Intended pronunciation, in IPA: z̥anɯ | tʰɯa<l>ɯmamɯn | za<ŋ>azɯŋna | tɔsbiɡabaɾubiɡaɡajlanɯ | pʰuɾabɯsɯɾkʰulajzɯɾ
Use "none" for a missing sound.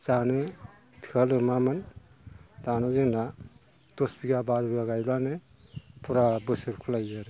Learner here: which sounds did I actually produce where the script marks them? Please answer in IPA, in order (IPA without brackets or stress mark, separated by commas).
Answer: l, n